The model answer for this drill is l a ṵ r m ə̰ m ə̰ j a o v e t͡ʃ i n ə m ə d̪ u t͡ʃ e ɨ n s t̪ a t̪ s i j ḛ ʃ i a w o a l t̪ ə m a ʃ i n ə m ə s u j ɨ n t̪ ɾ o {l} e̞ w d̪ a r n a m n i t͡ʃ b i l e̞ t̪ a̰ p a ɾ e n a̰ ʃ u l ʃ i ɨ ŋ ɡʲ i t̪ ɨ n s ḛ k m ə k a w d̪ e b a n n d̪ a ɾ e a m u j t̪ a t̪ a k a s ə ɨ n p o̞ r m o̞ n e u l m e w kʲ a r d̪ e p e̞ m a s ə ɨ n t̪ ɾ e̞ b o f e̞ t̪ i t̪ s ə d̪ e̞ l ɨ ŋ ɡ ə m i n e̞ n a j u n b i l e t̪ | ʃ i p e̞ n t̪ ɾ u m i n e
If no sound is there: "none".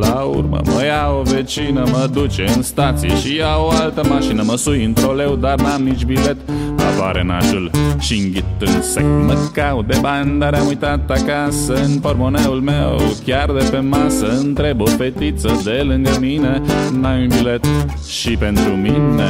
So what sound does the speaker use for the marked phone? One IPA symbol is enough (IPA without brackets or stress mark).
l